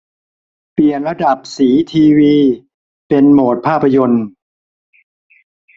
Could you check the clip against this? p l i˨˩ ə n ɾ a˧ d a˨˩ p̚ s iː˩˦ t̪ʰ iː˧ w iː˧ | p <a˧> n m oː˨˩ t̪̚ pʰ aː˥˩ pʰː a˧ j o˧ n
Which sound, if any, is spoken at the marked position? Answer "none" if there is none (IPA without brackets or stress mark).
e˧